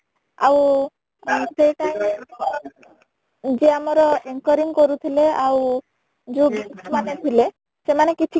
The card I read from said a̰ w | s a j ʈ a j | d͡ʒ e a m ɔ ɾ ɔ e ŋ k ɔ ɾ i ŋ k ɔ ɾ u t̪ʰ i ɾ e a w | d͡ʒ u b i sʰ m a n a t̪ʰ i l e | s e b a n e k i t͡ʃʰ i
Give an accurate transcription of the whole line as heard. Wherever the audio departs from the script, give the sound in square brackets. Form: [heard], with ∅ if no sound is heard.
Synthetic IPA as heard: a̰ w | s [e] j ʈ a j | d͡ʒ e a m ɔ ɾ ɔ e ŋ k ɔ ɾ i ŋ k ɔ ɾ u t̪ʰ i [l] e a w | d͡ʒ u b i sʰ m a n [e] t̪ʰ i l e | s e [m] a n e k i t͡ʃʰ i